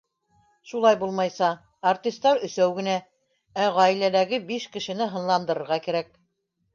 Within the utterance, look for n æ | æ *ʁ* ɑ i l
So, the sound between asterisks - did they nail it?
yes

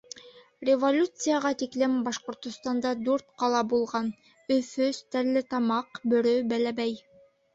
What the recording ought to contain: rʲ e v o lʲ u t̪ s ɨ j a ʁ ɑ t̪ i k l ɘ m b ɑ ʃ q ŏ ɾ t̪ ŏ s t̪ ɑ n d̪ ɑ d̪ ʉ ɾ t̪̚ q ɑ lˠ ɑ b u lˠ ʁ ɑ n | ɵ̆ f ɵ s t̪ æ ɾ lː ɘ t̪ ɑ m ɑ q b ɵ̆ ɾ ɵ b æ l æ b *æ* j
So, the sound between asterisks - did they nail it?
yes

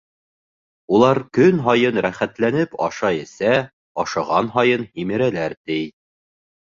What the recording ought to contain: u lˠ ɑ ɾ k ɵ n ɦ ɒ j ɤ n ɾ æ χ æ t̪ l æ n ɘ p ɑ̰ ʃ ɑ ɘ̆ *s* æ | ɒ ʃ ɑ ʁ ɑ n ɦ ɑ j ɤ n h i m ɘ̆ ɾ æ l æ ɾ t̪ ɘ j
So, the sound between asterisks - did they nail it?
yes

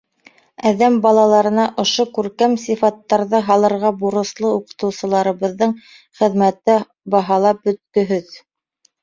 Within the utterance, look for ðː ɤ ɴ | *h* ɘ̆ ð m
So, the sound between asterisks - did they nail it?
no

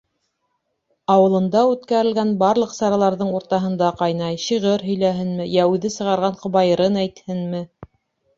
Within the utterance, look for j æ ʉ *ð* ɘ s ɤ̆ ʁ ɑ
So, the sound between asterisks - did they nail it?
yes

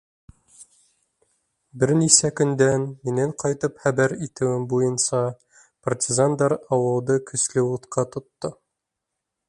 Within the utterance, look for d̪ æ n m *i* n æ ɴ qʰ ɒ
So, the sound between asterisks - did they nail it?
yes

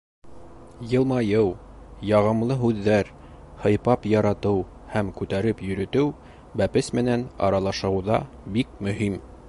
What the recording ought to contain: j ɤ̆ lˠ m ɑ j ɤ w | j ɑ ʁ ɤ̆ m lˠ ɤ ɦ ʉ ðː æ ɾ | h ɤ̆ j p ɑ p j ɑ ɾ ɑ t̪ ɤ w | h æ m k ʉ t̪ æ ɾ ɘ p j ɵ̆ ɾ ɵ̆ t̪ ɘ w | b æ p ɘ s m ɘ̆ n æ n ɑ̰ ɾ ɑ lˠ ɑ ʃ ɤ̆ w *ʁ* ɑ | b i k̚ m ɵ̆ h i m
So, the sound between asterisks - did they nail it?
no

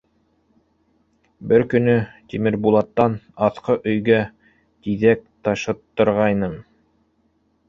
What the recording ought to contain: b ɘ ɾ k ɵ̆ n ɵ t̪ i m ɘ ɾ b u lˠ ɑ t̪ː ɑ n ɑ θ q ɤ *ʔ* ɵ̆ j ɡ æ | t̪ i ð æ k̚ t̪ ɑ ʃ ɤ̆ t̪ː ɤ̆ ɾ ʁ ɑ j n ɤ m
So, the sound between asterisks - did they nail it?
yes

